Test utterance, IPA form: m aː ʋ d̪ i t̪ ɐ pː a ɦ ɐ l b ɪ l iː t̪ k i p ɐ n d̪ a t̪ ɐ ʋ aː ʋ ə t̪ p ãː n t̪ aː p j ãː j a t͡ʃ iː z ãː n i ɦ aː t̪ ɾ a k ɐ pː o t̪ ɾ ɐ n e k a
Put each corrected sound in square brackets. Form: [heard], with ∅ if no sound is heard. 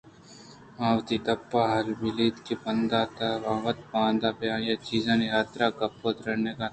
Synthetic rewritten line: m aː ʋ [t̪] i t̪ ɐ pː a ɦ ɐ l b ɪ l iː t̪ k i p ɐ n d̪ a t̪ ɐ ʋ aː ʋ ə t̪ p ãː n [d̪] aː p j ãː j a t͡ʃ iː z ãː n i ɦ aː t̪ ɾ a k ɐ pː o t̪ ɾ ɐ n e k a